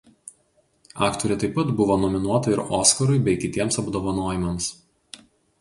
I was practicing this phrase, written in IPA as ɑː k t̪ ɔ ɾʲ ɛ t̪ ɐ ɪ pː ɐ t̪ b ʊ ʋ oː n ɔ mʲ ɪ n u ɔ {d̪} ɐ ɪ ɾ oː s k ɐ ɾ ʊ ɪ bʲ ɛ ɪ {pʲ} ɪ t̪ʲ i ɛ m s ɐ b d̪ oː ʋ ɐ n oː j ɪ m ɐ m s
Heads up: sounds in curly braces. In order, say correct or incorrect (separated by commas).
incorrect, incorrect